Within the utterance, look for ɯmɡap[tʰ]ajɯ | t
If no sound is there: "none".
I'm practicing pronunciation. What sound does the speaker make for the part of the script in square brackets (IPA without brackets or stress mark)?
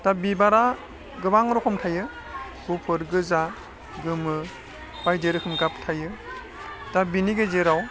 tʰ